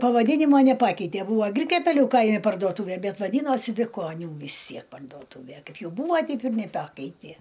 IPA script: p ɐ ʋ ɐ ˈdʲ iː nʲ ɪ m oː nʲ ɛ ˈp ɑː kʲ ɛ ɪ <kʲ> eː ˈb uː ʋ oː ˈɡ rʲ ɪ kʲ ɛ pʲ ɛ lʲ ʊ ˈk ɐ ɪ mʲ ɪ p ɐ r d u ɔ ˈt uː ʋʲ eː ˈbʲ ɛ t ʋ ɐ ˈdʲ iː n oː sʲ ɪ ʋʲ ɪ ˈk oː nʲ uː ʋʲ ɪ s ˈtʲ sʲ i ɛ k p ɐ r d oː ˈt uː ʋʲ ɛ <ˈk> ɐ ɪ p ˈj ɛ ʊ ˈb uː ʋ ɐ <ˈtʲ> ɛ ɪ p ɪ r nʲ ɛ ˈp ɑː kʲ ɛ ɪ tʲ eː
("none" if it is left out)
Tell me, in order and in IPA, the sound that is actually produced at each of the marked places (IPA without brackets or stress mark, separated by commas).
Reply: tʲ, k, tʲ